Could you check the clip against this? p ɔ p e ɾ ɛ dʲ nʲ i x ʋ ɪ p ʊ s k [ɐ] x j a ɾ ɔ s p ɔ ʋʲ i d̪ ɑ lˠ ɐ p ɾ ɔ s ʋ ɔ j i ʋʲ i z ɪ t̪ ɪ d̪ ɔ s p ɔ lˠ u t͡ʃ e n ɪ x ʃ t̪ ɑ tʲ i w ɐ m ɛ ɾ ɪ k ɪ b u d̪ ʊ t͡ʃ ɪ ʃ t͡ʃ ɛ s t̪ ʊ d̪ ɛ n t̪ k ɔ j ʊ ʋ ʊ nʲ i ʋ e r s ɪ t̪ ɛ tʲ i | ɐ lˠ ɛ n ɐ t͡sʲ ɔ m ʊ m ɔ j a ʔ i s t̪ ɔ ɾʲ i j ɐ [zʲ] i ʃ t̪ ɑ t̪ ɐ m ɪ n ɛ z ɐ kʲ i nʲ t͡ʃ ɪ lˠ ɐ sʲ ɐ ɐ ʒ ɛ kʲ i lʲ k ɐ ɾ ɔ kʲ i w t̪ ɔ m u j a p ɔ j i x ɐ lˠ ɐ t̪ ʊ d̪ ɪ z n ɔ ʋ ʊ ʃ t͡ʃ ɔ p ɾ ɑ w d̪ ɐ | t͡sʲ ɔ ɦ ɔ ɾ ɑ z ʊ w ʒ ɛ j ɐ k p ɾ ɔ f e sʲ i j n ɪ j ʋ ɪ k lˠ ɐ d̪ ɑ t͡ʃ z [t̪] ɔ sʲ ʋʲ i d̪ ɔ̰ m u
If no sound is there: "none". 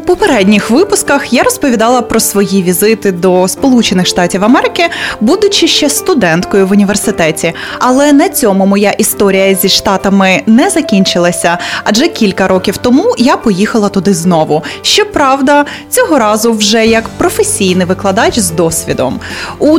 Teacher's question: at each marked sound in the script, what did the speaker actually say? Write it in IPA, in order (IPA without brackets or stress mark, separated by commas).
ɐ, zʲ, d̪